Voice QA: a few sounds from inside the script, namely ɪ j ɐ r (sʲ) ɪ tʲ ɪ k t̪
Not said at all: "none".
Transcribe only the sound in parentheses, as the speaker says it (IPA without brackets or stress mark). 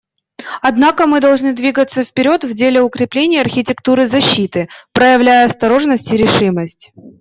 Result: xʲ